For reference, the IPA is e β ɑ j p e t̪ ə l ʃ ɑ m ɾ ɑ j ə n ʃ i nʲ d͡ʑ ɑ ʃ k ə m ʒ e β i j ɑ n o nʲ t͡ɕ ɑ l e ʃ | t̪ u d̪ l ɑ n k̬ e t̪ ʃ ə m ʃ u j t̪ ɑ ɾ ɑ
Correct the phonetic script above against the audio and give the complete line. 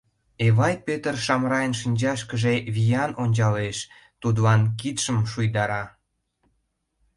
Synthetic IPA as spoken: e β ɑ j p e t̪ ə r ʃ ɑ m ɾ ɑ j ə n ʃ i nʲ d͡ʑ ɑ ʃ k ə ʒ e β i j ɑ n o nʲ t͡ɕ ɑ l e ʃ | t̪ u d̪ l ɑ n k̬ i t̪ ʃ ə m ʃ u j d̪ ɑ ɾ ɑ